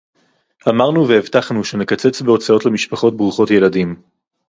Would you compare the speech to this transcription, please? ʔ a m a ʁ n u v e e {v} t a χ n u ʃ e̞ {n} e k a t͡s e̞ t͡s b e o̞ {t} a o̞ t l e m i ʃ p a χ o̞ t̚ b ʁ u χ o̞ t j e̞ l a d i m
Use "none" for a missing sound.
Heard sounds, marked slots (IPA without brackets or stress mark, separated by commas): v, n, t͡s